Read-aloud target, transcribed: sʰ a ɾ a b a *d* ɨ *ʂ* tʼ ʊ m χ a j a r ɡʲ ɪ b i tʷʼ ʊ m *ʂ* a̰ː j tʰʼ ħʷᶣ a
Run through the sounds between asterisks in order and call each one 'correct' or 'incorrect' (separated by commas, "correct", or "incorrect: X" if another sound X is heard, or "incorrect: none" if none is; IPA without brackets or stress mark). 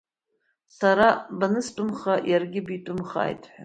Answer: incorrect: n, incorrect: s, incorrect: χ